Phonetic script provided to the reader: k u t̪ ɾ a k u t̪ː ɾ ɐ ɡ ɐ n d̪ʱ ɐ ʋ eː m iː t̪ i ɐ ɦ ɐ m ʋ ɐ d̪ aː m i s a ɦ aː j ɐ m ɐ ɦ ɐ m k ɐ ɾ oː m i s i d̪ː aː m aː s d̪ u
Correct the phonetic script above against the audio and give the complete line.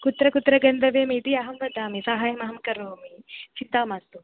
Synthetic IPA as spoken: k u t̪ ɾ ɐ k u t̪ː ɾ ɐ ɡ ɐ n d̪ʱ ɐ ʋ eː m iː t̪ i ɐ ɦ ɐ m ʋ ɐ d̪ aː m i s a ɦ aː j ɐ m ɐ ɦ ɐ m k ɐ ɾ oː m i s i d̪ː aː m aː s t̪ u